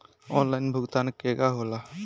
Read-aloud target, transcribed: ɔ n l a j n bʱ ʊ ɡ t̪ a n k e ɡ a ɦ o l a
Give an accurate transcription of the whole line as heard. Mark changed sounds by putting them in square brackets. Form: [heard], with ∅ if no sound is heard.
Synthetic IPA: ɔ n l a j n bʱ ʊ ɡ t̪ a n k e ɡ a ɦ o l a